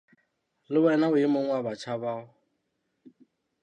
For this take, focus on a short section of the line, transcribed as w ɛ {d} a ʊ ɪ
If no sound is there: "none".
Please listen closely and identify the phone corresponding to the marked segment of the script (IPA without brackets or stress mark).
n